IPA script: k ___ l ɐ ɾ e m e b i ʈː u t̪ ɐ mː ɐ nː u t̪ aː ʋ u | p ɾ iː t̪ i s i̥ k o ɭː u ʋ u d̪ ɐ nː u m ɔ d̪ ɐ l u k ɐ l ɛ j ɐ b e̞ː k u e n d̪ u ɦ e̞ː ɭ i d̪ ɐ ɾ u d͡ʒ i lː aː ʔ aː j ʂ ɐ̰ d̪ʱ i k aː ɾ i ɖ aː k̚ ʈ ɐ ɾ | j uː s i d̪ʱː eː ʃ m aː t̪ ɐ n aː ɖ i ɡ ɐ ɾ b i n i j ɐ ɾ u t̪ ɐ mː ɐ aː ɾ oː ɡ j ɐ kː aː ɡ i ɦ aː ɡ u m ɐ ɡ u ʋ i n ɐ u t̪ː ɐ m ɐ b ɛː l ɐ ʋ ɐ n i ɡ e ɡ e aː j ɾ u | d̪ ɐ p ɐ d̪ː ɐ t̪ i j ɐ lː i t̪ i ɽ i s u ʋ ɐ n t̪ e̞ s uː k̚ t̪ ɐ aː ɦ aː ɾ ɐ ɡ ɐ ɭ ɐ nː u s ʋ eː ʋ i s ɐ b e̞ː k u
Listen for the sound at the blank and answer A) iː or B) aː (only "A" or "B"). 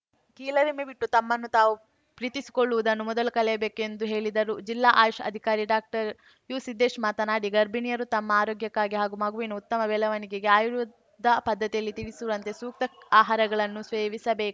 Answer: A